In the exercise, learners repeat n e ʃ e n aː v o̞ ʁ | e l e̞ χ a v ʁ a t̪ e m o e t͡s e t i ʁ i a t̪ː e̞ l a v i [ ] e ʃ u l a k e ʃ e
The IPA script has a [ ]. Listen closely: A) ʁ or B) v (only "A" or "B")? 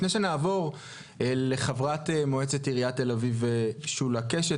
B